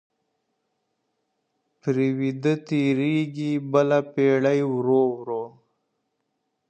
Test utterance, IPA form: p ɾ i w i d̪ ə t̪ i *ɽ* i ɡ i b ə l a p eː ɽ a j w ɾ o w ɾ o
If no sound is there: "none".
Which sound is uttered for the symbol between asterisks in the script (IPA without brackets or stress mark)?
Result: ɾ